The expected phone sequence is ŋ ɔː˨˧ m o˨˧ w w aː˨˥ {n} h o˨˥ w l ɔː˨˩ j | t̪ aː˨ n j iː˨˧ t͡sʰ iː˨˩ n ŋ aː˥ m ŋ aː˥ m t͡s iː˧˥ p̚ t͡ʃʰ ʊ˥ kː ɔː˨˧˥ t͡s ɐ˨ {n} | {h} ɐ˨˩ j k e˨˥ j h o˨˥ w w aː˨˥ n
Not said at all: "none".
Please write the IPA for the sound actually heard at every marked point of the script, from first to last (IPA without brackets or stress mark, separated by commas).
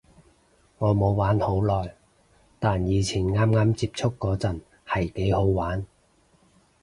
n, n, h